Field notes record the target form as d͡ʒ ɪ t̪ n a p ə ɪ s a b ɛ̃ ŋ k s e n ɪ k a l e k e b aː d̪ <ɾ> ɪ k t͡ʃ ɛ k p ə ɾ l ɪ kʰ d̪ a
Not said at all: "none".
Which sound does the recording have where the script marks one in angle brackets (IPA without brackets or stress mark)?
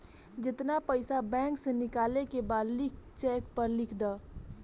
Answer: l